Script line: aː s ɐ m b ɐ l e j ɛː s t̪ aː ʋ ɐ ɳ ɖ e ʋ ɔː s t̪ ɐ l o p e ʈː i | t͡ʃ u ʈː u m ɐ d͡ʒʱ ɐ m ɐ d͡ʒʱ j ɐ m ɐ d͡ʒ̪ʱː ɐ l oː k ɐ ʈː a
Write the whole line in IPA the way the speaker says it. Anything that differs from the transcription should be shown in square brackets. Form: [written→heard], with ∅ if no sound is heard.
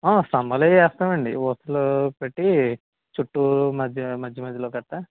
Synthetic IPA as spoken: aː s ɐ m b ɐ l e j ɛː s t̪ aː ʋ ɐ ɳ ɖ [e→i] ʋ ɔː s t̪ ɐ l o p e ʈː i | t͡ʃ u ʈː u m ɐ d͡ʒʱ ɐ m ɐ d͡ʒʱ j ɐ m ɐ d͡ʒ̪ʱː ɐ l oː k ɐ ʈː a